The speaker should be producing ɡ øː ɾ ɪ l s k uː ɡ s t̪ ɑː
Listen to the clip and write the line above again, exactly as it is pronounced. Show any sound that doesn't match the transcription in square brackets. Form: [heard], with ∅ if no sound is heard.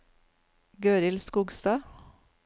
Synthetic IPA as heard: ɡ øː ɾ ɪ l s k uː ɡ s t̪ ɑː